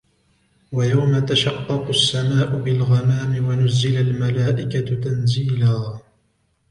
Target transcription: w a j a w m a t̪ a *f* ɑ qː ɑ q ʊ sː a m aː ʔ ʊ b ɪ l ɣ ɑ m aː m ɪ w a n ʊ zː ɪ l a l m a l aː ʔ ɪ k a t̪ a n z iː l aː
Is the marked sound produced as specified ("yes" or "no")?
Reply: no